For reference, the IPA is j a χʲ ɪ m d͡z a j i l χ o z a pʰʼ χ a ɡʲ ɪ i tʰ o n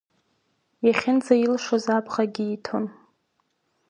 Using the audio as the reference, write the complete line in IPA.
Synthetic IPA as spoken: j a χʲ ɪ n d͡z a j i l ʂ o z a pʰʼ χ a ɡʲ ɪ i tʰ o n